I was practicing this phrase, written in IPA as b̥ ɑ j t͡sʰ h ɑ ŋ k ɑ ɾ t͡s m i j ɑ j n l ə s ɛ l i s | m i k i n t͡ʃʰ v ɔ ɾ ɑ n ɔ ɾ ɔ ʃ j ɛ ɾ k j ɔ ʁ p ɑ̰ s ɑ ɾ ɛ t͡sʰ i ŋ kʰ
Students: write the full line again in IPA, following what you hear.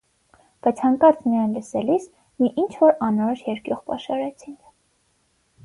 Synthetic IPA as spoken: b̥ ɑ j t͡sʰ h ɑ ŋ k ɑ ɾ t͡s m i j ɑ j n l ə s ɛ l i s | m i ʔ i n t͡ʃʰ v ɔ ɾ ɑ n ɔ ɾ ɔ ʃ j ɛ ɾ k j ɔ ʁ p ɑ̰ ʃ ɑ ɾ ɛ t͡sʰ i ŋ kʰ